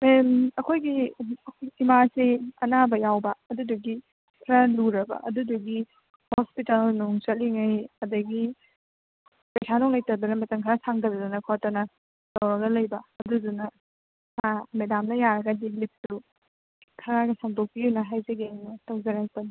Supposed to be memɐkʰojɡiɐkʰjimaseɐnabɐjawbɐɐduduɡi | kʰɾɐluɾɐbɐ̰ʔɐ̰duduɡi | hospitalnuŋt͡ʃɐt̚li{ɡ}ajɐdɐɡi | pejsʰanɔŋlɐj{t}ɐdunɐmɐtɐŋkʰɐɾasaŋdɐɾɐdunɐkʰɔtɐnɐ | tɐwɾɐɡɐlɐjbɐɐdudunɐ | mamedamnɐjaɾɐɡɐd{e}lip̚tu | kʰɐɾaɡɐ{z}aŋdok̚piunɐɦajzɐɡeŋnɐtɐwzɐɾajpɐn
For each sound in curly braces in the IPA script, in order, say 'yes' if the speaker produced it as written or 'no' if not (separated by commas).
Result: no, yes, no, no